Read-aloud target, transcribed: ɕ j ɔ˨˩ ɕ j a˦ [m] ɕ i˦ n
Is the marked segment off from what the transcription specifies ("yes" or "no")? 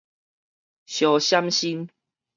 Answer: no